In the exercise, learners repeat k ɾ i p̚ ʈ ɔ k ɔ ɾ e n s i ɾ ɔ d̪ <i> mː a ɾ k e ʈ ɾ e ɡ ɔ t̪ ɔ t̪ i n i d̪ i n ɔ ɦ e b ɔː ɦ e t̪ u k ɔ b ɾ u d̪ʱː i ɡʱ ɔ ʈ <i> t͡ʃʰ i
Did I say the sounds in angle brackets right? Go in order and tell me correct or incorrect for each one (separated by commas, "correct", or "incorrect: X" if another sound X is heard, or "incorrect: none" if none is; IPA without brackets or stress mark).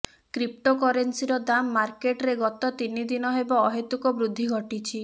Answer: incorrect: a, correct